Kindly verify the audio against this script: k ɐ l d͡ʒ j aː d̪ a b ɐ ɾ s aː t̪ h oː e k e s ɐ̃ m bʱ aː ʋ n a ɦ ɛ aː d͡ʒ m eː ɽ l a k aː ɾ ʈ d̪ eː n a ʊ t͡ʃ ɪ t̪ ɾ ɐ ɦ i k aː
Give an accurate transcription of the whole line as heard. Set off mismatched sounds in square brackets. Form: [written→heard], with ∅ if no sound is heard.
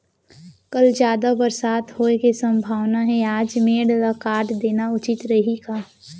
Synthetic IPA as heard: k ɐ l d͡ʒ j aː d̪ a b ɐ ɾ s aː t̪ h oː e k e s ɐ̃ m bʱ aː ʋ n a ɦ ɛ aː d͡ʒ m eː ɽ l a k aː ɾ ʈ d̪ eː n a ʊ t͡ʃ ɪ t̪ ɾ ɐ ɦ i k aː

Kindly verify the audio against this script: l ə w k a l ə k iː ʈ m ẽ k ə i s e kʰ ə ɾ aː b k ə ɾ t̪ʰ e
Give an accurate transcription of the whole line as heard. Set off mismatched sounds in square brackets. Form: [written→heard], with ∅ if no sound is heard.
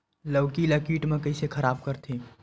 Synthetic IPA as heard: l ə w k [a→i] l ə k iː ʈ m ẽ k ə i s e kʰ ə ɾ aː b k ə ɾ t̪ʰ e

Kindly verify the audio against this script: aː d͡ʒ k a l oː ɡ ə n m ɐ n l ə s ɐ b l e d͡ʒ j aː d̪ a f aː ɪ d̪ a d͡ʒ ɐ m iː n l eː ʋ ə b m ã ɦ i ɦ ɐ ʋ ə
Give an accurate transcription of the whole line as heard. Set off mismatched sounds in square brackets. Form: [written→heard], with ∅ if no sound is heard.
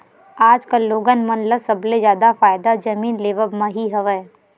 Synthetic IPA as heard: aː d͡ʒ k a l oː ɡ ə n m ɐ n l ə s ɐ b l e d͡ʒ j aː d̪ a f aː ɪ d̪ a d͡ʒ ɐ m iː n l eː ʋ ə b m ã ɦ i ɦ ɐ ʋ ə

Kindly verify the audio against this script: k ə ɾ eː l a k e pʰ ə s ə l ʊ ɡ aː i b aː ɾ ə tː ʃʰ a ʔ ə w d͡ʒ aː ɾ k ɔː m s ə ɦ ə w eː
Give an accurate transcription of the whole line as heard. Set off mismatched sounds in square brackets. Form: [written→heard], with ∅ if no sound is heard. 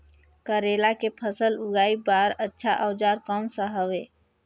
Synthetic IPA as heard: k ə ɾ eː l a k e pʰ ə s ə l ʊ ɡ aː i b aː ɾ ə tː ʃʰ a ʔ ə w d͡ʒ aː ɾ k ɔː m s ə ɦ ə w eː

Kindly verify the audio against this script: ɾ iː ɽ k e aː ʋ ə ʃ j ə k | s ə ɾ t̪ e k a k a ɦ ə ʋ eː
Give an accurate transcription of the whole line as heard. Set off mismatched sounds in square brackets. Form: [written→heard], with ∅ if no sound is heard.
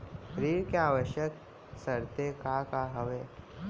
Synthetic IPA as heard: ɾ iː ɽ k e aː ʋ ə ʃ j ə k | s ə ɾ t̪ e k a k a ɦ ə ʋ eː

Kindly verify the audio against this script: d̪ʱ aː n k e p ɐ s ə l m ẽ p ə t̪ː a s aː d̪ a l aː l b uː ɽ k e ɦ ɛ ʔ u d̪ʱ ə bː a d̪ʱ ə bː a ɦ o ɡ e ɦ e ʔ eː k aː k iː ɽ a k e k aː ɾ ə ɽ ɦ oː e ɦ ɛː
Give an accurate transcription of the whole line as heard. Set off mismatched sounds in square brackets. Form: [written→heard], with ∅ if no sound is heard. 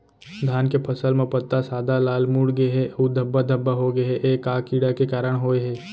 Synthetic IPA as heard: d̪ʱ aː n k e [p→pʰ] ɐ s ə l m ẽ p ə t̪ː a s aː d̪ a l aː l [b→m] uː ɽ [k→ɡ] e ɦ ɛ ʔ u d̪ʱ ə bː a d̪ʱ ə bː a ɦ o ɡ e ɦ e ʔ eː k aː k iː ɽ a k e k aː ɾ ə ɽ ɦ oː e ɦ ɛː

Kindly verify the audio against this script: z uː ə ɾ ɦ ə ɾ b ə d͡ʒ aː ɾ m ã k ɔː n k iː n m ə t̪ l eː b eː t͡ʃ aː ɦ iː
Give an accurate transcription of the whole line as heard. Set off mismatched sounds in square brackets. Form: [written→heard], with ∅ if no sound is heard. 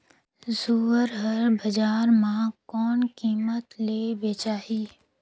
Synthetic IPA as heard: z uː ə ɾ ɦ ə ɾ b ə d͡ʒ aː ɾ m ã k ɔː n k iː [n→∅] m ə t̪ l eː b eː t͡ʃ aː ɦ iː

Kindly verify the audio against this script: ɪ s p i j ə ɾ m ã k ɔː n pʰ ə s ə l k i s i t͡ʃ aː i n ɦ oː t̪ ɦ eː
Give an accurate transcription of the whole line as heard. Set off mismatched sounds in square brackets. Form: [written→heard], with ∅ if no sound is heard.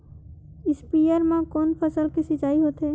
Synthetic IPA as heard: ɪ s p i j ə ɾ m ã k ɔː n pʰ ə s ə l k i s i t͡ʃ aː i [n→∅] ɦ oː t̪ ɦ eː

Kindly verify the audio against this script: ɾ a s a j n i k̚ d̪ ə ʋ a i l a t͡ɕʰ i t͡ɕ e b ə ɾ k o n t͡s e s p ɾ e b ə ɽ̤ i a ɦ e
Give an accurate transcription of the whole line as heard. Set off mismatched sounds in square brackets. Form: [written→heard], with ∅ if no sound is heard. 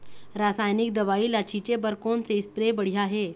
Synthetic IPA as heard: ɾ a s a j n i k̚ d̪ ə ʋ a i l a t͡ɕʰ i t͡ɕ e b ə ɾ k o n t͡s e s p ɾ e b ə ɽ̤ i a ɦ e

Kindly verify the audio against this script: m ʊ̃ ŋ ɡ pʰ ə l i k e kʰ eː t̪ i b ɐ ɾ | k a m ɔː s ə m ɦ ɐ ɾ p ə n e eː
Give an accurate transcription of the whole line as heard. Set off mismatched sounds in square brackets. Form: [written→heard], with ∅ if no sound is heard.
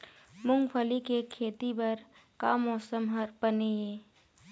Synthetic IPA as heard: m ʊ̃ ŋ ɡ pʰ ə l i k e kʰ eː t̪ i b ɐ ɾ | k a m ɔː s ə m ɦ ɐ ɾ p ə n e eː

